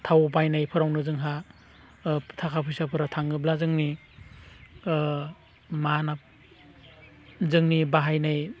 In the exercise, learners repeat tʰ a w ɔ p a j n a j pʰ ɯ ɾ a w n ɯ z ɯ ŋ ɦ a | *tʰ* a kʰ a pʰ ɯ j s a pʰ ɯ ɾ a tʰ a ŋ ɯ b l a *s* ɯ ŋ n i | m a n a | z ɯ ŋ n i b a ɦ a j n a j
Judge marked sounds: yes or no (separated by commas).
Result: yes, no